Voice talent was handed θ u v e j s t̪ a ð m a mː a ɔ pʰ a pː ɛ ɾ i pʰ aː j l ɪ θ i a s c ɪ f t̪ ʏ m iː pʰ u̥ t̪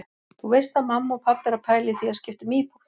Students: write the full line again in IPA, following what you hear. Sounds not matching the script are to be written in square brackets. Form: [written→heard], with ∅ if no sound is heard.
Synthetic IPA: θ u v e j s t̪ a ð m a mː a ɔ pʰ a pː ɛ ɾ [i→a] pʰ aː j l ɪ θ i a s c ɪ f t̪ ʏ m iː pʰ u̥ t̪